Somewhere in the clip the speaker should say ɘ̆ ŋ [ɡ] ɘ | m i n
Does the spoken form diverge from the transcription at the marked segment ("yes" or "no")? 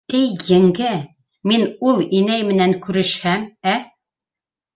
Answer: no